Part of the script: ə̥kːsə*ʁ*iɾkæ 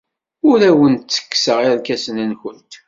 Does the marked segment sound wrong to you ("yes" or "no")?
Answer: no